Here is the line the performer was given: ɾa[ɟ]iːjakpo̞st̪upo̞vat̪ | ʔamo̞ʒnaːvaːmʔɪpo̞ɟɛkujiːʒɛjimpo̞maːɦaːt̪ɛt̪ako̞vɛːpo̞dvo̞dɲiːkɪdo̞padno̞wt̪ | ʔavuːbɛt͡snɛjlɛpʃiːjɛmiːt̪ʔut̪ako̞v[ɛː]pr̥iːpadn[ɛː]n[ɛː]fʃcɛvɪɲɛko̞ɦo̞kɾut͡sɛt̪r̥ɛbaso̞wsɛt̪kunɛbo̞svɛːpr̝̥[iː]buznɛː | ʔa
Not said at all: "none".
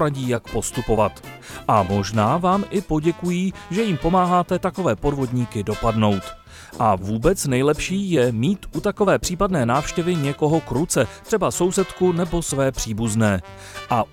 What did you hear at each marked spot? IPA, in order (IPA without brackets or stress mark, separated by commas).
ɟ, ɛː, ɛː, aː, iː